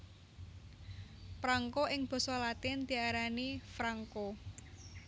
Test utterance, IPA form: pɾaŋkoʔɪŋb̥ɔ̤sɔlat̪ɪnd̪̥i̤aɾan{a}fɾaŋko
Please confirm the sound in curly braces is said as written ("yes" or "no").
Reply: no